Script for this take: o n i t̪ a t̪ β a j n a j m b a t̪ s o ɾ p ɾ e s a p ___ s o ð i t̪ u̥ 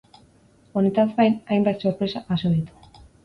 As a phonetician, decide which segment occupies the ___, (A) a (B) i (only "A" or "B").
A